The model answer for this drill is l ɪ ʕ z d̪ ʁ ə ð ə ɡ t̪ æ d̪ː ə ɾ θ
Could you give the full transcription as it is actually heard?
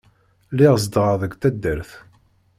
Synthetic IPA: l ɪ ʁ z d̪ ʁ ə ð ə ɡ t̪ æ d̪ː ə ɾ θ